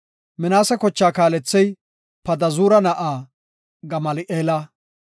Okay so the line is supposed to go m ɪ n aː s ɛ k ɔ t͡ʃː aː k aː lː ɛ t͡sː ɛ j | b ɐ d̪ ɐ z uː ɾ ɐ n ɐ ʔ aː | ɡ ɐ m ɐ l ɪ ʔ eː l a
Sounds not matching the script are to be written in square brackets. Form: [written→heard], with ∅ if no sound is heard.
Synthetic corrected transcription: m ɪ n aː s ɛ k ɔ t͡ʃː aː k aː [lː→l] ɛ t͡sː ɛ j | [b→p] ɐ d̪ ɐ z uː ɾ ɐ n ɐ ʔ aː | ɡ ɐ m ɐ l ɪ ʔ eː l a